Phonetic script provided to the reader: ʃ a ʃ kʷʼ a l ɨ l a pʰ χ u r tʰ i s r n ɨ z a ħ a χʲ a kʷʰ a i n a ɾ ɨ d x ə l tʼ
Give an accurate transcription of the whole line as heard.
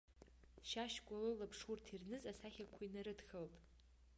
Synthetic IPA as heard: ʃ a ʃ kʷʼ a l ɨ l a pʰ ʂ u r tʰ i r n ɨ z a s a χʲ a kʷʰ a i n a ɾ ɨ d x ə l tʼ